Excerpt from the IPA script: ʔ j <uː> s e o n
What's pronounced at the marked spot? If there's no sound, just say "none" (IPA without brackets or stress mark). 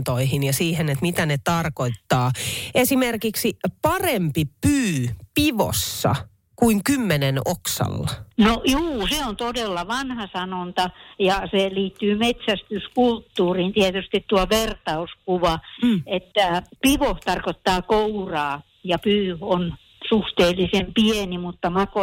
uː